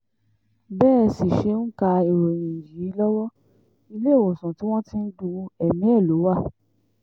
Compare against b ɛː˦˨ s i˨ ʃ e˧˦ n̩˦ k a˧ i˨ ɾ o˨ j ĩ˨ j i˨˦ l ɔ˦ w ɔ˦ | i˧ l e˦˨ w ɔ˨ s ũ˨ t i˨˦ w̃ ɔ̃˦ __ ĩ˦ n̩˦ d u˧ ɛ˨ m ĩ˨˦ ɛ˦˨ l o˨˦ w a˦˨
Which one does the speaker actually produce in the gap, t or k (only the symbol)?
t